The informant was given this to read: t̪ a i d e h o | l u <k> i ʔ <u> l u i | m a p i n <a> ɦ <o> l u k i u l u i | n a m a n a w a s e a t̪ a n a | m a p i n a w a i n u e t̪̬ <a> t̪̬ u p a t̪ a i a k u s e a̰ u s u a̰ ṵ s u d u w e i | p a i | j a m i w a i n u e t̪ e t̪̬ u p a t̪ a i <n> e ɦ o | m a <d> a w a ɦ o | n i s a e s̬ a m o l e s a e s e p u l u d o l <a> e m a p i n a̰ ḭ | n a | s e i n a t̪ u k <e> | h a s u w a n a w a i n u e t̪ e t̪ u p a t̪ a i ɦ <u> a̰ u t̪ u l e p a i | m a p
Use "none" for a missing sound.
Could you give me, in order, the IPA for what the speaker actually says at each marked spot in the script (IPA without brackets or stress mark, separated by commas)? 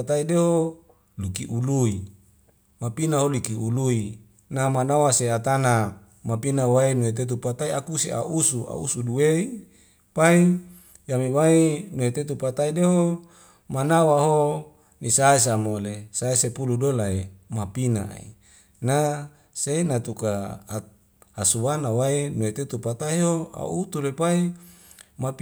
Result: k, u, a, o, e, d, n, a, a, o